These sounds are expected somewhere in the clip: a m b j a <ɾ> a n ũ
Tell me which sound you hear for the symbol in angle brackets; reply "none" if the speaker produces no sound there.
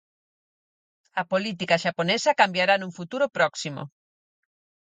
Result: ɾ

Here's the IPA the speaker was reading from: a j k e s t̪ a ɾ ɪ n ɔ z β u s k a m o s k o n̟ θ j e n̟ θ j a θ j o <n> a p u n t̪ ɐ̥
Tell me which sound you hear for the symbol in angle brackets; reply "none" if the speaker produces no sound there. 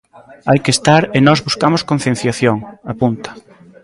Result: ŋ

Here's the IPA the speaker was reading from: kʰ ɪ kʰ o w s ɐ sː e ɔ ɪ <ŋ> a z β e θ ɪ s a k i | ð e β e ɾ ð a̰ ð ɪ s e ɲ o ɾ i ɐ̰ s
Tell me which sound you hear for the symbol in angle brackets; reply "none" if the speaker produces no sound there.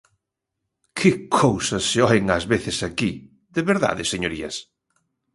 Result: ŋ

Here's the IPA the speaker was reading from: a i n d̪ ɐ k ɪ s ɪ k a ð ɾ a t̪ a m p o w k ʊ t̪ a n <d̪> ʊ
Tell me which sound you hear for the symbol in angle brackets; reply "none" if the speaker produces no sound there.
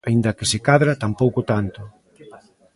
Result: t̪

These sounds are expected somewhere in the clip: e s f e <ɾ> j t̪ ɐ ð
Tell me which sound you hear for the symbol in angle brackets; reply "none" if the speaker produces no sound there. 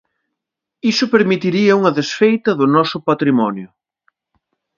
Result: none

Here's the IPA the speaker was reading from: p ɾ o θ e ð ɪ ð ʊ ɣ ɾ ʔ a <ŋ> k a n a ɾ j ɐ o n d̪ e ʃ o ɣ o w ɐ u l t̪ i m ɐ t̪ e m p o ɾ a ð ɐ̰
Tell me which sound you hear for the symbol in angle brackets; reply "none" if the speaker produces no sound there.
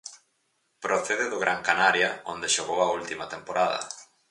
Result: ŋ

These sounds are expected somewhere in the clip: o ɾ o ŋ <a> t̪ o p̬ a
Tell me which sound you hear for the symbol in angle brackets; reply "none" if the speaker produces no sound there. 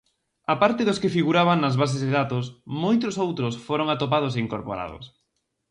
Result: a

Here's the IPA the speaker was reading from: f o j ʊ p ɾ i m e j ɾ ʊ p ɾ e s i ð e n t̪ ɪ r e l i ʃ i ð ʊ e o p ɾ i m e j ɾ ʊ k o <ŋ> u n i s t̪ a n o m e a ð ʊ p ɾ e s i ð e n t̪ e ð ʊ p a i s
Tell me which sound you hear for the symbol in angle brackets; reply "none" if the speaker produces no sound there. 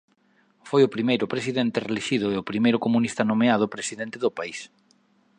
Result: m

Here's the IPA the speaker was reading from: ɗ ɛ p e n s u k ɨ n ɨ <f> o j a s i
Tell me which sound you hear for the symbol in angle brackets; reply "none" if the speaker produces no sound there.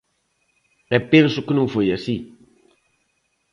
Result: f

